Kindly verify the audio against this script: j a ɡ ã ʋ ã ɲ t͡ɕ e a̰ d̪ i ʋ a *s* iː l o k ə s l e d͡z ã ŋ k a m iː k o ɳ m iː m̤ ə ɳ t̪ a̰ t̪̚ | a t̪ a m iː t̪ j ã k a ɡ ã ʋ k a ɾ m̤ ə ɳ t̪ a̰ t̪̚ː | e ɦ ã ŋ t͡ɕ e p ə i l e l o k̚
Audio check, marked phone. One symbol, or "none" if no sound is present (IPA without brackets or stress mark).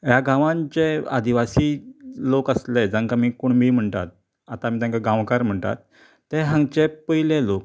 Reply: s